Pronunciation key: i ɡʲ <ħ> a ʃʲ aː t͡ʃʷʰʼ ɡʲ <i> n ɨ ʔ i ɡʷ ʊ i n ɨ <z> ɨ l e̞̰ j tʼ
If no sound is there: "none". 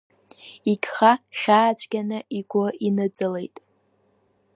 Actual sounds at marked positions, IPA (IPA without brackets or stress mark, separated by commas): χ, a, d͡z